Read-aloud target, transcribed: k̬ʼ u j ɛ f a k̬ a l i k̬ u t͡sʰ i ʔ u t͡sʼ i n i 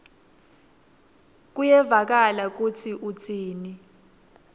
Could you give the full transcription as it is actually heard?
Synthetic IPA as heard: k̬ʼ u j ɛ v a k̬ a l a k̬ u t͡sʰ i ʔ u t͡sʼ iː n i